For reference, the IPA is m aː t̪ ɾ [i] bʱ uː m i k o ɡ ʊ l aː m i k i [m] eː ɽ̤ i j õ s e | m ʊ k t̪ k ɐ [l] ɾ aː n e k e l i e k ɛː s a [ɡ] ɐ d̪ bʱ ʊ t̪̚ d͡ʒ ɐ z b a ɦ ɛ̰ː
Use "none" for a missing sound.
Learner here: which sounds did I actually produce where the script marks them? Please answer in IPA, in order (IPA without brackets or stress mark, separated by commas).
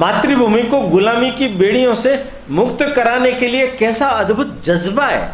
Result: i, b, none, none